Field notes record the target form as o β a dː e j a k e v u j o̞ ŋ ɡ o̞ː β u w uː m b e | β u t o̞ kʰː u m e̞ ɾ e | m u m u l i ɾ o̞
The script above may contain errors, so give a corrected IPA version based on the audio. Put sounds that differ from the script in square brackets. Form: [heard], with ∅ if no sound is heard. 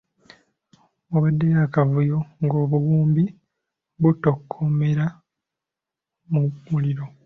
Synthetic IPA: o β a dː e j a k [a] v u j o̞ ŋ ɡ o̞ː β u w uː m b [i] | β u t o̞ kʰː [o] m e̞ ɾ [a] | m u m u l i ɾ o̞